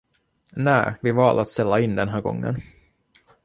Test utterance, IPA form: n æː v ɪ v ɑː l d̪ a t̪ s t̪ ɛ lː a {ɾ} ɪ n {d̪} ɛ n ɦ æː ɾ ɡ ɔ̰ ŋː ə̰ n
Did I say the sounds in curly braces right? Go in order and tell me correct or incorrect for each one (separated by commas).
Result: incorrect, correct